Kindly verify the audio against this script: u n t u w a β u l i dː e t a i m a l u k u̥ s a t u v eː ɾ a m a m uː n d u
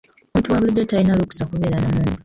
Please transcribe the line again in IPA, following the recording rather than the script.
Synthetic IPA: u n t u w a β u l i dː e t a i n a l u k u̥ s a k u β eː ɾ a n a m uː n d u